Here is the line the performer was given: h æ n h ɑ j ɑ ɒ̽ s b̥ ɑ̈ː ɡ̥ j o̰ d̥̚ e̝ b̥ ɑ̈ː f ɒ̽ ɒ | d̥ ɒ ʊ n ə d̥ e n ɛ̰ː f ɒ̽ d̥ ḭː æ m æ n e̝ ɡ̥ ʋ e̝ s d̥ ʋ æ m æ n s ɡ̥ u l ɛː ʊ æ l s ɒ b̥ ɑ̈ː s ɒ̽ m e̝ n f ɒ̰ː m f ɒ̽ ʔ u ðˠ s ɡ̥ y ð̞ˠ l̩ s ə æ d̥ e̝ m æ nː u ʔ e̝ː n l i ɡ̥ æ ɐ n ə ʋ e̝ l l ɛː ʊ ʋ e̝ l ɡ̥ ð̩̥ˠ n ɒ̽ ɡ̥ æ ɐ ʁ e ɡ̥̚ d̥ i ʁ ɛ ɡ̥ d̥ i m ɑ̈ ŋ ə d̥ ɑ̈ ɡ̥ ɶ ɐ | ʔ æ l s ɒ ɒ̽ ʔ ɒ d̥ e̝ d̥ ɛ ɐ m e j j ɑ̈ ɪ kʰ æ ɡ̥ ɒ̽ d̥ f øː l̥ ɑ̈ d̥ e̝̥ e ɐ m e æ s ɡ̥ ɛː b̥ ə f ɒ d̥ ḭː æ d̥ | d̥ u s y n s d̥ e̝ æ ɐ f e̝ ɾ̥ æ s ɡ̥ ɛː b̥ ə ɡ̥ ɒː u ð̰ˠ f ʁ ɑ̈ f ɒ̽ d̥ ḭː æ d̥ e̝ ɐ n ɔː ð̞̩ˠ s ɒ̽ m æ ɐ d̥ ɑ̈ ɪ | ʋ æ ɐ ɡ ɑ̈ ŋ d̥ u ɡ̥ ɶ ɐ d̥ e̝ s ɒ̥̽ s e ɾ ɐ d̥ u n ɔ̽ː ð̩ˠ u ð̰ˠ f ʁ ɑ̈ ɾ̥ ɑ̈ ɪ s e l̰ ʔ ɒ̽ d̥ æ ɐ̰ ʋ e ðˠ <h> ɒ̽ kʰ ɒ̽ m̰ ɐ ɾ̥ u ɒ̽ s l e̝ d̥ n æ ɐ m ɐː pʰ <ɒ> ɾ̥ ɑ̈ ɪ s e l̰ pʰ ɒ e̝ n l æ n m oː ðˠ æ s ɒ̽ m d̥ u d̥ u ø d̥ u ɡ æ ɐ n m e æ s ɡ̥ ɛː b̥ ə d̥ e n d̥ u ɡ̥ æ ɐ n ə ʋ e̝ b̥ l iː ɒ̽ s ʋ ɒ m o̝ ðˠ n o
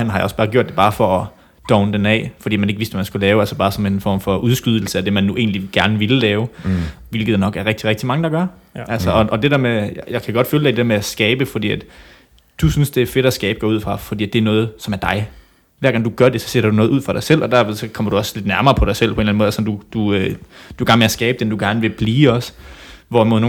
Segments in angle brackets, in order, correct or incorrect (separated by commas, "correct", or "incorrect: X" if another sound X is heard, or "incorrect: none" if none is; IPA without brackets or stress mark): incorrect: s, correct